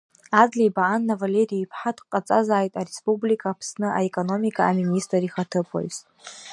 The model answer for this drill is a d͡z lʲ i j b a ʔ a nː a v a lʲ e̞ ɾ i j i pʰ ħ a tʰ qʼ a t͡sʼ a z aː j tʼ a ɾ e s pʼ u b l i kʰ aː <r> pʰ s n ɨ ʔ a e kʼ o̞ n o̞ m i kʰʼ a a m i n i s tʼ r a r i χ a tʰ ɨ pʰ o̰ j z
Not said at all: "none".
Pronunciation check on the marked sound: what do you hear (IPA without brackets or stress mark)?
none